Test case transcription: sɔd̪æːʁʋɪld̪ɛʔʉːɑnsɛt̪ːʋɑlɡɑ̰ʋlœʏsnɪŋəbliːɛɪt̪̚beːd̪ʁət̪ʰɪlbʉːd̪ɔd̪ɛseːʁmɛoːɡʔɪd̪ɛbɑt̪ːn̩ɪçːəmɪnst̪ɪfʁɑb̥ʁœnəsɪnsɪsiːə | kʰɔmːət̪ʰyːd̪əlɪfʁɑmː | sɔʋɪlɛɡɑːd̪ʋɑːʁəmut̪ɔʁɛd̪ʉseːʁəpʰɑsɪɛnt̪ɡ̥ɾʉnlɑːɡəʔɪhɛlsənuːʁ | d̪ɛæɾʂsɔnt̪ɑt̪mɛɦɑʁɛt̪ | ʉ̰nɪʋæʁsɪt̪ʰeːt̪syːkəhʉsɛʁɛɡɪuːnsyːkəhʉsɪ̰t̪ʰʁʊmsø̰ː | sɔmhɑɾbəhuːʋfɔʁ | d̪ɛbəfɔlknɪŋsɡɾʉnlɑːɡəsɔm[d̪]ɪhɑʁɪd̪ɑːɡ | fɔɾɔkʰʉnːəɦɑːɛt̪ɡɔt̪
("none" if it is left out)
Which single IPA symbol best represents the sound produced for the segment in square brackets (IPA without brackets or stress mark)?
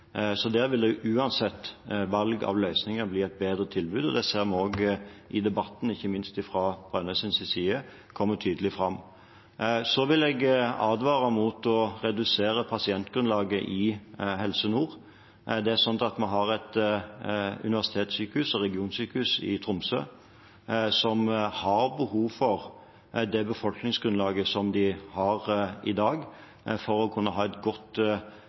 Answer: d̪